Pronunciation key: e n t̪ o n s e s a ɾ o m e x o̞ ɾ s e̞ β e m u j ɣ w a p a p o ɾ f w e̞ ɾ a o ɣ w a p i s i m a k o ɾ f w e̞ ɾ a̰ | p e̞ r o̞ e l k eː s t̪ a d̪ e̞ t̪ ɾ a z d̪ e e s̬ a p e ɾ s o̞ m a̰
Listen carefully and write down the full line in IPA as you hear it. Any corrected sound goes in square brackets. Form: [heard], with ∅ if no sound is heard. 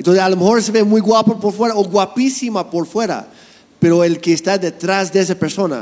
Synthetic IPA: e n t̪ o n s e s a [l] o m e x o̞ ɾ s e̞ β e m u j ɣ w a p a p o ɾ f w e̞ ɾ a o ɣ w a p i s i m a [p] o ɾ f w e̞ ɾ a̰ | p e̞ [ɾ] o̞ e l k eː s t̪ a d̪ e̞ t̪ ɾ a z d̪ e e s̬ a p e ɾ s o̞ [n] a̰